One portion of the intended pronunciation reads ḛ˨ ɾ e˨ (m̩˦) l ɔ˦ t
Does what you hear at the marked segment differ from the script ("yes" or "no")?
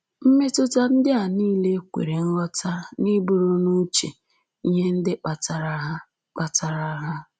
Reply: yes